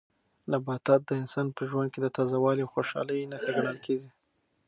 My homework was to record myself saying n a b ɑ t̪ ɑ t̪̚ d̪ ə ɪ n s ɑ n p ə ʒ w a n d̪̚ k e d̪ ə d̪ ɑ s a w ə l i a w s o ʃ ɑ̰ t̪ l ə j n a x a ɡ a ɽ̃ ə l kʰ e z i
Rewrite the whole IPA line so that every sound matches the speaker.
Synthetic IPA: n a b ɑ t̪ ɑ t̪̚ d̪ ə ɪ n s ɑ n p ə ʒ w a n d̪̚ k e d̪ ə t̪ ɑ z a w ɑ l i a w x o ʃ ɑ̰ l ə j n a x a ɡ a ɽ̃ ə l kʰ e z i